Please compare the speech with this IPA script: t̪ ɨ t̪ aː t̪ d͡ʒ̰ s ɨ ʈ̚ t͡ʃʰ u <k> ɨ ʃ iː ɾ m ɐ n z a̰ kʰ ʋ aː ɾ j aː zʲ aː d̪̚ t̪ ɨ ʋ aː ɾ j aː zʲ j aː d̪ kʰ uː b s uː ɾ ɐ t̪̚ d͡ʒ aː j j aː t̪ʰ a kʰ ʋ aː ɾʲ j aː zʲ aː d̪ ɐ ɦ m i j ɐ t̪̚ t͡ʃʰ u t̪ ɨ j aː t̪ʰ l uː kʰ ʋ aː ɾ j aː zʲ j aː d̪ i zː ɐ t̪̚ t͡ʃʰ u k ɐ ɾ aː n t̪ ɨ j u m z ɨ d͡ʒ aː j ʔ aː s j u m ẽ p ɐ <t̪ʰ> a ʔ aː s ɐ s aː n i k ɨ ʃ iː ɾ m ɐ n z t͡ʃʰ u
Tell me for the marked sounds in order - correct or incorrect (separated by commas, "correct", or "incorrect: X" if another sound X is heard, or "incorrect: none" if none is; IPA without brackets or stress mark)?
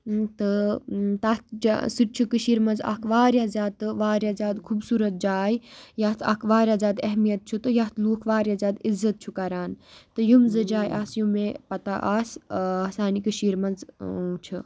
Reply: correct, incorrect: t̪